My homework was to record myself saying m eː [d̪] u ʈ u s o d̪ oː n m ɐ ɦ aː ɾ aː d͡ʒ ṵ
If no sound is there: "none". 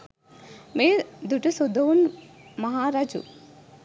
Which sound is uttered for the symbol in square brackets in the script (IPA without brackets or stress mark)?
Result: d̪